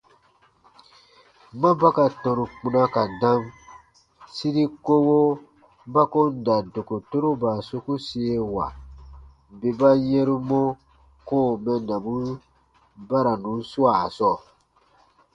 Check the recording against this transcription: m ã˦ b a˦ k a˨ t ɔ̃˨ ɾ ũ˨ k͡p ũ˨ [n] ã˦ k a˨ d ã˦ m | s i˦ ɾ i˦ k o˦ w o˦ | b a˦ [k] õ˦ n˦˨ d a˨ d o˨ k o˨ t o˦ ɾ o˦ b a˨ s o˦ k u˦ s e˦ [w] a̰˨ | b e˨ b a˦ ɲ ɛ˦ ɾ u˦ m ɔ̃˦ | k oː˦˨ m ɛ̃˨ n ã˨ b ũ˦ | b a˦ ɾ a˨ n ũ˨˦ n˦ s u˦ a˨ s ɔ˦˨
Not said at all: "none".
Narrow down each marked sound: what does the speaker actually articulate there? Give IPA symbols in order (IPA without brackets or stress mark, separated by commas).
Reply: n, k, w